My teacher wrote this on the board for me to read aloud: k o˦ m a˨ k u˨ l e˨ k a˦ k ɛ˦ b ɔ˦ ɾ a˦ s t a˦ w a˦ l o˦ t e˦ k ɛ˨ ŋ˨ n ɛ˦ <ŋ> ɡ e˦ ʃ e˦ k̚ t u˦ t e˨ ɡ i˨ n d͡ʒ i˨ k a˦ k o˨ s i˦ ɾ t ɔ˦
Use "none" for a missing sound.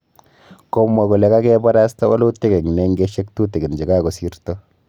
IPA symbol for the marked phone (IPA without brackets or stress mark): ŋ